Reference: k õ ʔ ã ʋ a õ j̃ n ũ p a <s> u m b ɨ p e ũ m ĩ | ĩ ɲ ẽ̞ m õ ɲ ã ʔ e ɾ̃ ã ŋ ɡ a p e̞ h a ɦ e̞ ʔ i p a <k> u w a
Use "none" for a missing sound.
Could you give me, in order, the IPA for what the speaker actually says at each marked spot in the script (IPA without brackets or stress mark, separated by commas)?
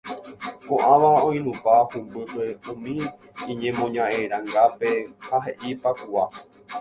h, k